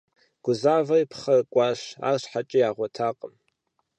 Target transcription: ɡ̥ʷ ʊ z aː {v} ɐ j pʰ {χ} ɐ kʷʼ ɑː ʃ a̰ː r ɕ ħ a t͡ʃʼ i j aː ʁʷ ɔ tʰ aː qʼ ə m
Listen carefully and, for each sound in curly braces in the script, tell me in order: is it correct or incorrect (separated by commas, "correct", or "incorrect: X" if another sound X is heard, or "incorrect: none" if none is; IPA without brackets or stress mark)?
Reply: correct, correct